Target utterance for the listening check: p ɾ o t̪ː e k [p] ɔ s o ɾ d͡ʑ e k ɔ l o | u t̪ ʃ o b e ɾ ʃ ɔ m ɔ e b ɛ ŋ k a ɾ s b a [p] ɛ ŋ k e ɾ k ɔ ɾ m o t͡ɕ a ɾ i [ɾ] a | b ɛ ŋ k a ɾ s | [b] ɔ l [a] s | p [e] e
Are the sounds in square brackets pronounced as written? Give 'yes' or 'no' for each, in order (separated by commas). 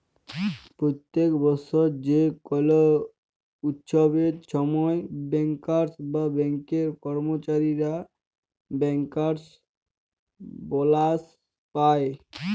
no, no, yes, yes, yes, no